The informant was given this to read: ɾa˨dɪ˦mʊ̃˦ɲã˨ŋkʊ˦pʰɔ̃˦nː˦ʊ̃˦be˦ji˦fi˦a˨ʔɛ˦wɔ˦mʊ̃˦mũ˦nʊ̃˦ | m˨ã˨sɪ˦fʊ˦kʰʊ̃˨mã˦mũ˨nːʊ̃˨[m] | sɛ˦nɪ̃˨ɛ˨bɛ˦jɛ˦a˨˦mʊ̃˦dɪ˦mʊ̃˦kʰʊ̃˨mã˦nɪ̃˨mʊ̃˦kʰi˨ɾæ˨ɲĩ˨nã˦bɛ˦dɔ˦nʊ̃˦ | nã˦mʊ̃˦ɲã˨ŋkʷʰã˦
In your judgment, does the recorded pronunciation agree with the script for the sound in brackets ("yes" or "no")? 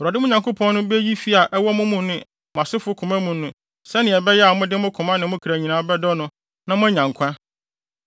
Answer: no